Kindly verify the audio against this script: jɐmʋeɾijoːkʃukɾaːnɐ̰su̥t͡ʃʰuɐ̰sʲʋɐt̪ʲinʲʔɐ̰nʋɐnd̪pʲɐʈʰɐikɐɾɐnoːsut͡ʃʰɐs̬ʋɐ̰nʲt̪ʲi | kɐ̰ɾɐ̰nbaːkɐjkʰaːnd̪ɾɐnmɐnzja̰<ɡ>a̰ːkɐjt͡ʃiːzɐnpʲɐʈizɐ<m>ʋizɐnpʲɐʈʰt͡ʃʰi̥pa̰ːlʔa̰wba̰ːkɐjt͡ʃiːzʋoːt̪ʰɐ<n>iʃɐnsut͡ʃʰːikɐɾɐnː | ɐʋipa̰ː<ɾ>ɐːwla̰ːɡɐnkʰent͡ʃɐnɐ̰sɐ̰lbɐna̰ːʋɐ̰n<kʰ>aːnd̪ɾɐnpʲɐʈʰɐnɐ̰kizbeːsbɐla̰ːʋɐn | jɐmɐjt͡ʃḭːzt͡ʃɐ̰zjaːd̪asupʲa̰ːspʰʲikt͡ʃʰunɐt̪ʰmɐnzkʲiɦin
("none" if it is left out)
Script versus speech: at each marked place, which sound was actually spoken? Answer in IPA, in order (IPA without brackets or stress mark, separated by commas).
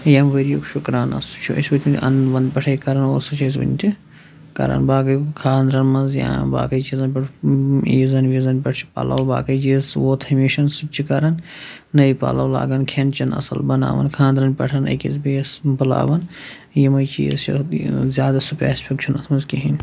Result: b, n, m, l, kʰ